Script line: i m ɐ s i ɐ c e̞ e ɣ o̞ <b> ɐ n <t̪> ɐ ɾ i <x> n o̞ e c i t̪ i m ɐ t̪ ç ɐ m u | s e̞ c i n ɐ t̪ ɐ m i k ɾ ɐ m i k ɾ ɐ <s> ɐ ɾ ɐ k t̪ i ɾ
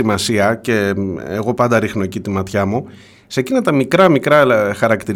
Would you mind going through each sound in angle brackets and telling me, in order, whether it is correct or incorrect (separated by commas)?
incorrect, incorrect, correct, incorrect